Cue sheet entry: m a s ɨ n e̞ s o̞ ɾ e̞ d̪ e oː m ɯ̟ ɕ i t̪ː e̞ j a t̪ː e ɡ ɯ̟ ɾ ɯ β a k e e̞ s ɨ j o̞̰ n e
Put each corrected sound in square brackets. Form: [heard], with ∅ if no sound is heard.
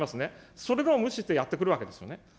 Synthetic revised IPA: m a s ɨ n e̞ s o̞ ɾ e̞ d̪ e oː m ɯ̟ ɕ i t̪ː e̞ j a t̪ː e [k] ɯ̟ ɾ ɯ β a k e e̞ s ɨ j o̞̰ n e